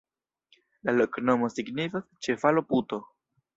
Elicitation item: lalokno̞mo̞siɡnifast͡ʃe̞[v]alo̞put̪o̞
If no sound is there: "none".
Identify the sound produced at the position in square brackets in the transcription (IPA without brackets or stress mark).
f